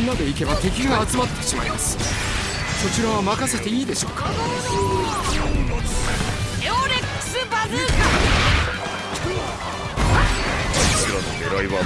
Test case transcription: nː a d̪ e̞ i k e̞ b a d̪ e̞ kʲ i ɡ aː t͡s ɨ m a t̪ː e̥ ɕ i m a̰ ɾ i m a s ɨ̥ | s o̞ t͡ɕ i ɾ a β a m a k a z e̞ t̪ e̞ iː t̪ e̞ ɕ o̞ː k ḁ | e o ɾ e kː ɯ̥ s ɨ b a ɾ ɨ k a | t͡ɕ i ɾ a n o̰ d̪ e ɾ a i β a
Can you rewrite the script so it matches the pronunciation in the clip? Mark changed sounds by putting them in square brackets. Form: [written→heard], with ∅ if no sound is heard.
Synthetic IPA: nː a d̪ e̞ i k e̞ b a [d̪→t̪] e̞ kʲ i ɡ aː t͡s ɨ m a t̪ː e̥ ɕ i m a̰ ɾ i m a s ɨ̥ | s o̞ t͡ɕ i ɾ a β a m a k a [z→s] e̞ t̪ e̞ iː [t̪→d̪] e̞ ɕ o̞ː k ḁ | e o ɾ e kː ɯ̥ s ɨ b a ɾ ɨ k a | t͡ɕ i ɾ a n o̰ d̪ e ɾ a i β a